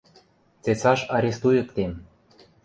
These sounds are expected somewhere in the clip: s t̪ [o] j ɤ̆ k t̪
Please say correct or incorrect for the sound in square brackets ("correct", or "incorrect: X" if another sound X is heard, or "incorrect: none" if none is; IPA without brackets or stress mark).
incorrect: u